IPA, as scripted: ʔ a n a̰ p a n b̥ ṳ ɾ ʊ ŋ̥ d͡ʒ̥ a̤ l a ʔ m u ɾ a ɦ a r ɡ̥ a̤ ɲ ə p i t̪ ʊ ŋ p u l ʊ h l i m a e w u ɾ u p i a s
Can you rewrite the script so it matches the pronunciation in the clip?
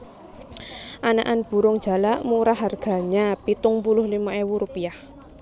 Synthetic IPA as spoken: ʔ a n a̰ ʔ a n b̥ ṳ ɾ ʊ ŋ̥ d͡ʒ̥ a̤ l a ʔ m u ɾ a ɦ a r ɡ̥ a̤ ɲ a p i t̪ ʊ ŋ p u l ʊ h l i m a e w u ɾ u p i a h